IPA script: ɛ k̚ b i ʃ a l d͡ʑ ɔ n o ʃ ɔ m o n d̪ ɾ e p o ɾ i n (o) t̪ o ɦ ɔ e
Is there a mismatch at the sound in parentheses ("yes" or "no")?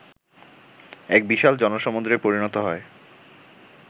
yes